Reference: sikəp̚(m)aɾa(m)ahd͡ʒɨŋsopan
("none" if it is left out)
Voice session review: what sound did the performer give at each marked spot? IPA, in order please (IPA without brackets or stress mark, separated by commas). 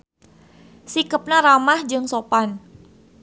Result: n, m